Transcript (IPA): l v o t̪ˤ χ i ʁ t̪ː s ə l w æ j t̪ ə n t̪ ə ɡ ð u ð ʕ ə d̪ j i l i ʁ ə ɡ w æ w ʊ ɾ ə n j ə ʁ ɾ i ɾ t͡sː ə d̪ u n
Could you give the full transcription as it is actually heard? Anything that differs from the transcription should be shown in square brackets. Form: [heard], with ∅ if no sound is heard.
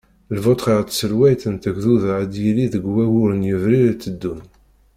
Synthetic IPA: l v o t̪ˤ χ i ʁ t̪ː s ə l w æ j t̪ ə n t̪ ə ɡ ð u ð ʕ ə d̪ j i l i [ð] ə ɡ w æ w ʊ ɾ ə n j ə [v] ɾ i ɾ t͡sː ə [d̪ː] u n